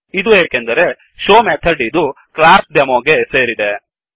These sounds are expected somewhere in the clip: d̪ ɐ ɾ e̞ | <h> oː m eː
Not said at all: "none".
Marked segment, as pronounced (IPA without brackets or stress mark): ʃ